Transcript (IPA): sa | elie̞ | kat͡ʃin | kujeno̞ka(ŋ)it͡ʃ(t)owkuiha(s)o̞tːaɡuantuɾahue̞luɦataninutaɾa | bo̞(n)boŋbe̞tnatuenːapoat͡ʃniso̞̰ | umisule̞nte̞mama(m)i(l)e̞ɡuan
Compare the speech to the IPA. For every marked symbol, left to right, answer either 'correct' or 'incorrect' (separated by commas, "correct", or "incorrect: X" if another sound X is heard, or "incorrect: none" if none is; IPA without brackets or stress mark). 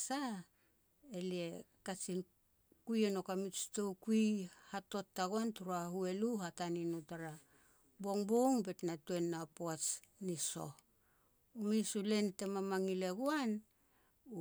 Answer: incorrect: m, correct, incorrect: t, incorrect: ŋ, incorrect: ŋ, correct